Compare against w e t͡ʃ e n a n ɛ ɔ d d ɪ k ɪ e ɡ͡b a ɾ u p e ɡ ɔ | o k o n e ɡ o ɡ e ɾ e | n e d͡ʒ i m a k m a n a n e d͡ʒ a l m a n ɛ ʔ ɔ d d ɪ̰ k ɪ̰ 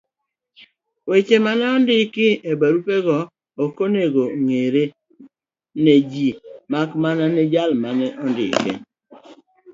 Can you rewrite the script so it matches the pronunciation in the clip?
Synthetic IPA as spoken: w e t͡ʃ e m a n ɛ ɔ n d ɪ k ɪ e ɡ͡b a ɾ u p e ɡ ɔ | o k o n e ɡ o ŋ e ɾ e | n e d͡ʒ i m a k m a n a n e d͡ʒ a l m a n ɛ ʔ ɔ n d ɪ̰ k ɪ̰